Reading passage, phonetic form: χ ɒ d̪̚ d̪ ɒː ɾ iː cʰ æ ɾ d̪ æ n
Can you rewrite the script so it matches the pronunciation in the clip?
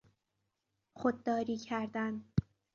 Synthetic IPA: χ o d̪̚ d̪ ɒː ɾ iː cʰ æ ɾ d̪ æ n